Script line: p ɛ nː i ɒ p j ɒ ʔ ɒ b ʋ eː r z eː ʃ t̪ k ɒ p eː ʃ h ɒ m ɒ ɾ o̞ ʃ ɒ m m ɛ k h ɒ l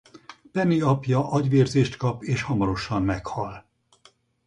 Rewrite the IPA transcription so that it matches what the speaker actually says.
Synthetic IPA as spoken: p ɛ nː i ɒ p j ɒ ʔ ɒ ɟ ʋ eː r z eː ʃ t̪ k ɒ p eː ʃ h ɒ m ɒ ɾ o̞ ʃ ɒ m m ɛ k h ɒ l